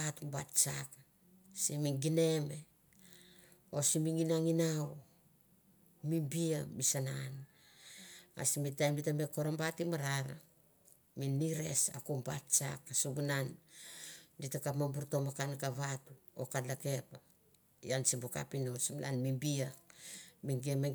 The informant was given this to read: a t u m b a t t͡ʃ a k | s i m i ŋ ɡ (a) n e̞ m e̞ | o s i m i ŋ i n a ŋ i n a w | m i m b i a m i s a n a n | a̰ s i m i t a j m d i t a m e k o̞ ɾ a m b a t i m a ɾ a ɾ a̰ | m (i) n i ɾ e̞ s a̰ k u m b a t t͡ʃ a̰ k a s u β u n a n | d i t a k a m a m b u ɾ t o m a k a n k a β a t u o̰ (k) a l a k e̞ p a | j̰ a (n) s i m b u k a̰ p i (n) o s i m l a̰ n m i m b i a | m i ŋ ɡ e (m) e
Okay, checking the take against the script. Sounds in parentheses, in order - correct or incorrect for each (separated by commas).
incorrect, correct, correct, correct, correct, correct